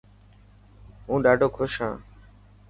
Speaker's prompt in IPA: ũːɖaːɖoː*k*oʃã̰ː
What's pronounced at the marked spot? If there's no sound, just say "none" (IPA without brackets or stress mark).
kʰ